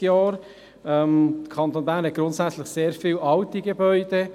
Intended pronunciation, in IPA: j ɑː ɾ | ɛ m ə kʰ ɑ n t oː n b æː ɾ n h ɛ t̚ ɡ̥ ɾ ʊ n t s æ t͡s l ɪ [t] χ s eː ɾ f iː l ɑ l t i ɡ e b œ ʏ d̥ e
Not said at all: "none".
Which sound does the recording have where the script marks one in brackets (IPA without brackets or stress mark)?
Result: none